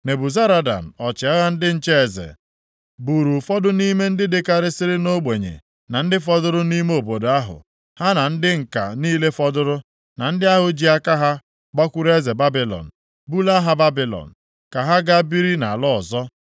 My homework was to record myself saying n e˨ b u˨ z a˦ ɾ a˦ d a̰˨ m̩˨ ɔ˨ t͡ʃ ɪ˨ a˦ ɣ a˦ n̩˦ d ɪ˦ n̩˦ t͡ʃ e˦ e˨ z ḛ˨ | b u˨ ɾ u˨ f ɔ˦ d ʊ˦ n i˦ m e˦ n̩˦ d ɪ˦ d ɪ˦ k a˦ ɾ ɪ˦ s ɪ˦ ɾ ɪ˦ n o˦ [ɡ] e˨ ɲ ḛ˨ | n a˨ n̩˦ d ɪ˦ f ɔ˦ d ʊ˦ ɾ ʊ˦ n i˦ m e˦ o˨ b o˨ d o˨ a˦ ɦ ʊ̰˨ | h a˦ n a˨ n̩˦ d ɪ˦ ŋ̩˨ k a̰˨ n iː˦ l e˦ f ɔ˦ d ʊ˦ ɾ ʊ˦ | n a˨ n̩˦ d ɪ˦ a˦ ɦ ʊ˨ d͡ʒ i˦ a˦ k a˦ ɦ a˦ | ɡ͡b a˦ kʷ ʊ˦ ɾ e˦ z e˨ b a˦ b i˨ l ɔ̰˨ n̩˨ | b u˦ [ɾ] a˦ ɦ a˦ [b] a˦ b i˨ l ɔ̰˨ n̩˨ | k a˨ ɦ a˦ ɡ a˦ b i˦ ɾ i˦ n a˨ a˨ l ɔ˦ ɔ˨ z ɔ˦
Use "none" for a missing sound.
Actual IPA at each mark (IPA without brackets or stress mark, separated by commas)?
ɡ͡b, l, b